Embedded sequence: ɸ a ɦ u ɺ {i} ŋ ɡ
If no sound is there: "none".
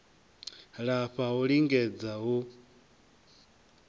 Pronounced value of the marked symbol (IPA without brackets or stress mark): i